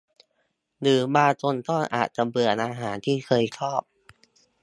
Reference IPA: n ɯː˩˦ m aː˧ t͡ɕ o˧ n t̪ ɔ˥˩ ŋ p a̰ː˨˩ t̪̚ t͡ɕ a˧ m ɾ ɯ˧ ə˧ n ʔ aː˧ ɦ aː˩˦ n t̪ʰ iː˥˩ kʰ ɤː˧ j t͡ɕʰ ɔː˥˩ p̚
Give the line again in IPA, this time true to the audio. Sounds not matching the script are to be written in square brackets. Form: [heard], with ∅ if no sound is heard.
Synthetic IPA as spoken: n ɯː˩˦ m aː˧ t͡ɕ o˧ n t̪ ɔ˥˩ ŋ [ʔ] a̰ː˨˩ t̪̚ t͡ɕ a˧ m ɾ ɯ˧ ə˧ n ʔ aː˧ ɦ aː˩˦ n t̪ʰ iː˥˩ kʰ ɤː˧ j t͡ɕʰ ɔː˥˩ p̚